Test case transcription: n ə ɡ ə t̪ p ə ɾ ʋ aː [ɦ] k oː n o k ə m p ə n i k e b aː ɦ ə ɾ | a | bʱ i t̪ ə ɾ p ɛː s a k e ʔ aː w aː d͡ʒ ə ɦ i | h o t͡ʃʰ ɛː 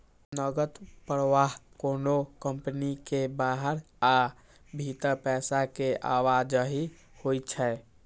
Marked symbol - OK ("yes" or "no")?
yes